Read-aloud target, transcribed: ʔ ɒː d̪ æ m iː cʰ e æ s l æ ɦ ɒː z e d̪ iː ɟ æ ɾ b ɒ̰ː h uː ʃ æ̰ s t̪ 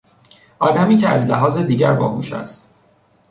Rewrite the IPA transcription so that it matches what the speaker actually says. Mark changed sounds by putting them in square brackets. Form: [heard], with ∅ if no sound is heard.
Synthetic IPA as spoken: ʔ ɒː d̪ æ m iː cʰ e æ [z] l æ ɦ ɒː z e d̪ iː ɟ æ ɾ b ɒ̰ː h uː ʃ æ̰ s t̪